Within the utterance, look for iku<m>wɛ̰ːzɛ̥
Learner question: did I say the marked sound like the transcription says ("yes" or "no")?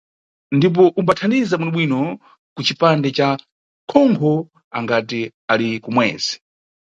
yes